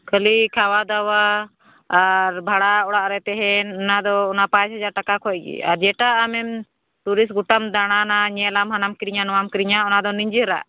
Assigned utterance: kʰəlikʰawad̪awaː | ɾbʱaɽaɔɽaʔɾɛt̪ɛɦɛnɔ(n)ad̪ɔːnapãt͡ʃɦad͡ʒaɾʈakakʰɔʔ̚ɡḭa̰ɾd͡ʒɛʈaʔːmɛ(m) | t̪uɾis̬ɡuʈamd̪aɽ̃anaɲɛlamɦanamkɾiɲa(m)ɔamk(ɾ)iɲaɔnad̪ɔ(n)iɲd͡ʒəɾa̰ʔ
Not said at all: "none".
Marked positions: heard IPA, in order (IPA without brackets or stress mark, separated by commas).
n, m, n, ɾ, n